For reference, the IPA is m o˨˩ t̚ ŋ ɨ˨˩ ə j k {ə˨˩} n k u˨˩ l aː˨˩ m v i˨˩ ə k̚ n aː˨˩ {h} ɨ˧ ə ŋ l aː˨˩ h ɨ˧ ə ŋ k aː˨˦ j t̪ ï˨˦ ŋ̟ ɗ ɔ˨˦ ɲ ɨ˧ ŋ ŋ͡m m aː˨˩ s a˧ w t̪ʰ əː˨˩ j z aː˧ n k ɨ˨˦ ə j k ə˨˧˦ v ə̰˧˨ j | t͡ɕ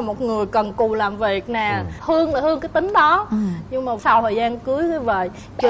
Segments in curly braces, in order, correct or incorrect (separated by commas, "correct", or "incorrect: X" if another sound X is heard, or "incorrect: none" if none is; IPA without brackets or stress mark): correct, correct